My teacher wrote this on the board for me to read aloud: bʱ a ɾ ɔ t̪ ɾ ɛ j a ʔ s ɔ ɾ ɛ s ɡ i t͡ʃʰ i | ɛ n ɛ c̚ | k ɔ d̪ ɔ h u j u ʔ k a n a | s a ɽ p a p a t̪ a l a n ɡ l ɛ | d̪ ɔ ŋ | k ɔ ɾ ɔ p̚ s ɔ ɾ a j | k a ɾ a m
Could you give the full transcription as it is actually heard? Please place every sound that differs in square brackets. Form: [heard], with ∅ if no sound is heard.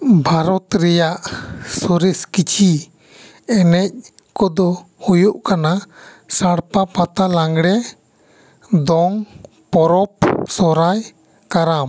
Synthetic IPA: bʱ a ɾ ɔ t̪ ɾ ɛ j a ʔ s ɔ ɾ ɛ s [k] i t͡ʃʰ i | ɛ n ɛ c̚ | k ɔ d̪ ɔ h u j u ʔ k a n a | s a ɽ p a p a t̪ a l a [ŋ] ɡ [ɽ] ɛ | d̪ ɔ ŋ | [p] ɔ ɾ ɔ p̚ s ɔ ɾ a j | k a ɾ a m